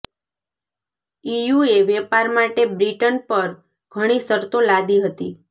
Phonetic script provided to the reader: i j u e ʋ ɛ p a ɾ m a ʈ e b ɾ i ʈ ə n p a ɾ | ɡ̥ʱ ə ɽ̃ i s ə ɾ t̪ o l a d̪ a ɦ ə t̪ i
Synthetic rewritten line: i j u e ʋ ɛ p a ɾ m a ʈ e b ɾ i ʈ ə n p ə ɾ | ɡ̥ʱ ə ɽ̃ i s ə ɾ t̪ o l a d̪ i ɦ ə t̪ i